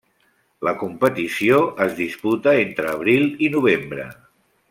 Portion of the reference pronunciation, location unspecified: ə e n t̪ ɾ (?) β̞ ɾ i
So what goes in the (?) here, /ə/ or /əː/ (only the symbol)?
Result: əː